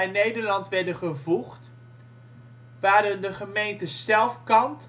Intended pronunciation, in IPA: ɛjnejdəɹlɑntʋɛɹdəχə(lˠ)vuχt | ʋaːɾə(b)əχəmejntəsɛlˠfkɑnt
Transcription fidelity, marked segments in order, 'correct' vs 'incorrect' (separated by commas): incorrect, incorrect